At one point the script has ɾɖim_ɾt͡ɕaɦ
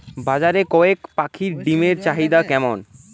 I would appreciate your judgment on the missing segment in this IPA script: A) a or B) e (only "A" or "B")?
B